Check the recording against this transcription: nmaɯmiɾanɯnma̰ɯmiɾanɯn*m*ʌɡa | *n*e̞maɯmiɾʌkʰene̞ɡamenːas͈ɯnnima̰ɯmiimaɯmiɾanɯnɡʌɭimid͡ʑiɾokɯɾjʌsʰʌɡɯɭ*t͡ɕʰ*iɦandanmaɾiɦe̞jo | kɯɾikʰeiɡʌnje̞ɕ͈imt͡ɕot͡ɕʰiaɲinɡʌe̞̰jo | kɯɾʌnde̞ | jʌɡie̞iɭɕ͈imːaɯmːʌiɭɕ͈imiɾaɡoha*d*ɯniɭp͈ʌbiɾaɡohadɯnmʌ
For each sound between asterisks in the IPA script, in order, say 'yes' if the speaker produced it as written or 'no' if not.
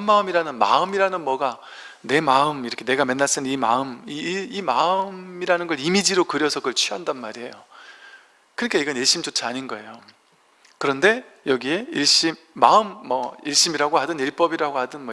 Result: yes, yes, yes, yes

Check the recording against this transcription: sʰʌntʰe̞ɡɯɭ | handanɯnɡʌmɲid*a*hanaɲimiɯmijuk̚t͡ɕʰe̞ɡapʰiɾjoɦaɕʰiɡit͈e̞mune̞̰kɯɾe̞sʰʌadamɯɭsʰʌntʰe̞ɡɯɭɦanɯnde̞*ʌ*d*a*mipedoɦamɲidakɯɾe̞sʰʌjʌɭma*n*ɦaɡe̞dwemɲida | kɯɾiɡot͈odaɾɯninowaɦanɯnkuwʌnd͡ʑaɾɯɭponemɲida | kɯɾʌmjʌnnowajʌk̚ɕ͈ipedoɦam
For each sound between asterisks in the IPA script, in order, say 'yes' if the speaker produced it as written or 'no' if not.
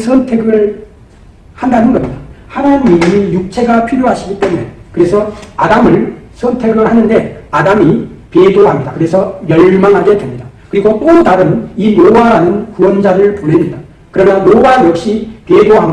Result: yes, no, yes, no

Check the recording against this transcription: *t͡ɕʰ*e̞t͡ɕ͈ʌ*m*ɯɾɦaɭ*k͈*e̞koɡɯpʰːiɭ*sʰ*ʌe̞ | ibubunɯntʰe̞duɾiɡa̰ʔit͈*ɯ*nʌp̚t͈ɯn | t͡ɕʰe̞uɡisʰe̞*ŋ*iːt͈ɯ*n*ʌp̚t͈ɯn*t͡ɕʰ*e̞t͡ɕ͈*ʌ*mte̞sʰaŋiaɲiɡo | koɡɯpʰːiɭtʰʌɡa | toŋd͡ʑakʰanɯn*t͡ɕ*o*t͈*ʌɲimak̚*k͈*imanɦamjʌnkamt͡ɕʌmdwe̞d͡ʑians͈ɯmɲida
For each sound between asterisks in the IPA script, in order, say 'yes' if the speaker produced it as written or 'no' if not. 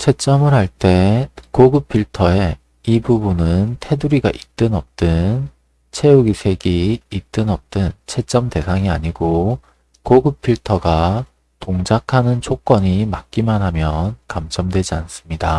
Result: yes, yes, no, no, yes, no, yes, yes, yes, no, no, yes

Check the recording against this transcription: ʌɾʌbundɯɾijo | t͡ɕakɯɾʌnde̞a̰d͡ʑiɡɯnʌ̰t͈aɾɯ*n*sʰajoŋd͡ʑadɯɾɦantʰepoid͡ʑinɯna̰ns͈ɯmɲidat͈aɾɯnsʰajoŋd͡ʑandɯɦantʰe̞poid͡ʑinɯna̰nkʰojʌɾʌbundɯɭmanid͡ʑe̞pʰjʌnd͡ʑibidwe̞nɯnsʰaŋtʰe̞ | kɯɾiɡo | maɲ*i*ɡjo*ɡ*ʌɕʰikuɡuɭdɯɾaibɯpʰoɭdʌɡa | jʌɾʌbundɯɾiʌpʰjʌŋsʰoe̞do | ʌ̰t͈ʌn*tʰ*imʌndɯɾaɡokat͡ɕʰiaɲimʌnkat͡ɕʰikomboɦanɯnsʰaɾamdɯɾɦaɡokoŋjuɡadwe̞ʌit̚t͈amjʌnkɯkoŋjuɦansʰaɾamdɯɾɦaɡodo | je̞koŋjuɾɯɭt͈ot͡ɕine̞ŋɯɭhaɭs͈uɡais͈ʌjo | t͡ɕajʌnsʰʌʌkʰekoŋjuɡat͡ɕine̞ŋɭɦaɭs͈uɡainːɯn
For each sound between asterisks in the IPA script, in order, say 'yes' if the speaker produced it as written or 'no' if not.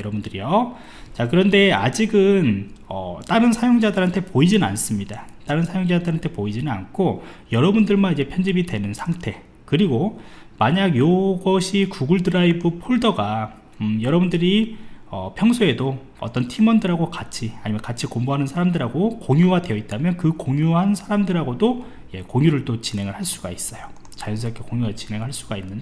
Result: yes, no, yes, yes

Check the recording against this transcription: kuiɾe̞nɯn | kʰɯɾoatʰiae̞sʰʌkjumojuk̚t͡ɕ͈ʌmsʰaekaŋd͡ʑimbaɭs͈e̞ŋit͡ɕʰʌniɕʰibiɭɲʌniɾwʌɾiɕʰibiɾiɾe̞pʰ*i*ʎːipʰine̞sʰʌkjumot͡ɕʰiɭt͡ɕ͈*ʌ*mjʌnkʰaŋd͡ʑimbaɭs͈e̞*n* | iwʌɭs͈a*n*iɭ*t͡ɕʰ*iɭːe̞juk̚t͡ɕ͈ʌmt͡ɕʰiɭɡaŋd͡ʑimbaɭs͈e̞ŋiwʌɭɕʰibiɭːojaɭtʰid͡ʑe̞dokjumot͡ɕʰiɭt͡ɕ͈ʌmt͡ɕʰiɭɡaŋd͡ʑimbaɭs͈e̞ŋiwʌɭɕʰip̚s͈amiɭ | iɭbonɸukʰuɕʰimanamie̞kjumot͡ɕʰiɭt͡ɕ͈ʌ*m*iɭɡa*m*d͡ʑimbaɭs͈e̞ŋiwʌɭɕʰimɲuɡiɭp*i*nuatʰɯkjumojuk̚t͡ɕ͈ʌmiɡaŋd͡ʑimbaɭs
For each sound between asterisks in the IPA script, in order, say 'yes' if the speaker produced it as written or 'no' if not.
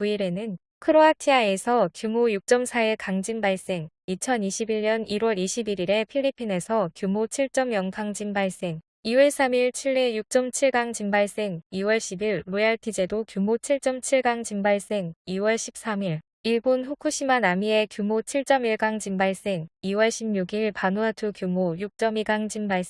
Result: yes, yes, no, no, yes, yes, no, no

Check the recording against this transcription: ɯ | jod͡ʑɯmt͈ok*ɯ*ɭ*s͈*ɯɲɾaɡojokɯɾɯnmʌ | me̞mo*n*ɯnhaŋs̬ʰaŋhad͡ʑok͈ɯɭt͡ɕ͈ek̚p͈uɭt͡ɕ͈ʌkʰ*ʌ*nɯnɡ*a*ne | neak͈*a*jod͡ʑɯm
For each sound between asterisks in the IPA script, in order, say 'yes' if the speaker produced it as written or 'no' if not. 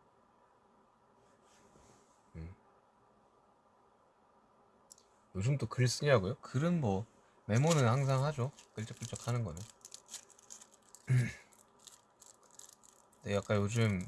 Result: yes, yes, yes, no, no, yes

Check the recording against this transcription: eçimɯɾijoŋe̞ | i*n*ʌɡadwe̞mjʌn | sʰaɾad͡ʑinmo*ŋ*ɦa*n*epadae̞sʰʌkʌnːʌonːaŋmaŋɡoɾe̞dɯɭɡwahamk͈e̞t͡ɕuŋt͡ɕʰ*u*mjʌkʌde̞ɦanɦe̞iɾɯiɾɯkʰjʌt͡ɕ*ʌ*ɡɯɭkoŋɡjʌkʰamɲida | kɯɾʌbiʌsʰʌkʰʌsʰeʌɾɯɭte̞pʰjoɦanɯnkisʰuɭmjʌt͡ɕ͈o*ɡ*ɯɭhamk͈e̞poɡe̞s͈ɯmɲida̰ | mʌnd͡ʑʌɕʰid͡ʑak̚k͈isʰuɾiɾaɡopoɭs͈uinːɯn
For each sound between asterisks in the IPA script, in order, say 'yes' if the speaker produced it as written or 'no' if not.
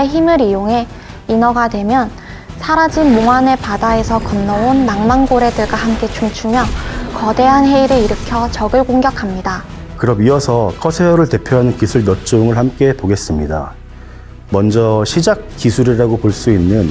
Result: yes, yes, yes, yes, yes, no

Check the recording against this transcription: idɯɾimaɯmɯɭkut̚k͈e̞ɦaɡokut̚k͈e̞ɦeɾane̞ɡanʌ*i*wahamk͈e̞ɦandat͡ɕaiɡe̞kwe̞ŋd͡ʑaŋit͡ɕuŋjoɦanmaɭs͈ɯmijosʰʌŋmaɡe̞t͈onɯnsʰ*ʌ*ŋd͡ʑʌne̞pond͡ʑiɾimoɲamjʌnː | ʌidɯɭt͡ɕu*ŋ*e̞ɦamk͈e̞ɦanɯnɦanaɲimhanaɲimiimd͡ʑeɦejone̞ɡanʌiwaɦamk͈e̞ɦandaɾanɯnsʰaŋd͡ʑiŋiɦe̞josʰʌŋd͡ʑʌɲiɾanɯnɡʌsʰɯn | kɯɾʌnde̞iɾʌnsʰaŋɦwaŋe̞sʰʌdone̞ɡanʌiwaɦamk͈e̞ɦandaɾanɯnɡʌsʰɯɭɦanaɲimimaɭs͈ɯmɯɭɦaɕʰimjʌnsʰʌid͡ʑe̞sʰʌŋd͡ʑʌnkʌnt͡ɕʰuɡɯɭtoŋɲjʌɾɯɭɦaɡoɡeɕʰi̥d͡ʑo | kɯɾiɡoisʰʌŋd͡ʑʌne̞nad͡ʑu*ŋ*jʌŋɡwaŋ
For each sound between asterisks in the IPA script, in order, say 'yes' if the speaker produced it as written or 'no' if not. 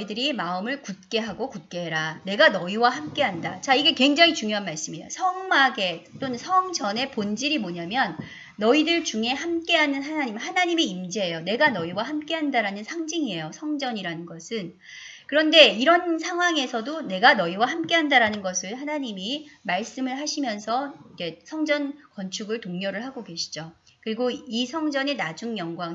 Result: yes, yes, yes, yes

